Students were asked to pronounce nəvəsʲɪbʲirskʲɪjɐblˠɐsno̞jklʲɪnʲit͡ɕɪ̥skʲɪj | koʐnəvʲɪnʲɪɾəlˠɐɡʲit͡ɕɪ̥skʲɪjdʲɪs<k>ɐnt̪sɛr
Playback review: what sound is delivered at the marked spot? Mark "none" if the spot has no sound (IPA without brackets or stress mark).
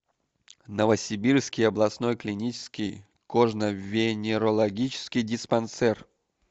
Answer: p